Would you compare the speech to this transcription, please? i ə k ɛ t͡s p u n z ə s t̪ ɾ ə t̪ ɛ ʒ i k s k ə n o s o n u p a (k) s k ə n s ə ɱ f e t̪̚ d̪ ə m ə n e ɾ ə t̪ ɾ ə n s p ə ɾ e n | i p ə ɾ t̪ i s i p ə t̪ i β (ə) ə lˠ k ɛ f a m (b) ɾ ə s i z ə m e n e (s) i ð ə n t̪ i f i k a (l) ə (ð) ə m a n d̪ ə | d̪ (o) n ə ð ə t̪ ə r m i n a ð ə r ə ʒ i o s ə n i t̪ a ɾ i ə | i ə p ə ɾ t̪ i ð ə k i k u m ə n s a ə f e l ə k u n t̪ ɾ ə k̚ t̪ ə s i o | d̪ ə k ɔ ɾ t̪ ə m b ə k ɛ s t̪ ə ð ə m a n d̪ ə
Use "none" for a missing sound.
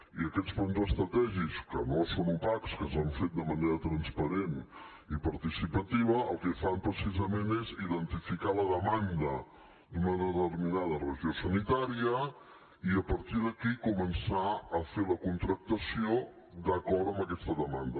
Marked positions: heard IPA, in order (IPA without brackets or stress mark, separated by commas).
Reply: k, ə, p, z, l, ð, u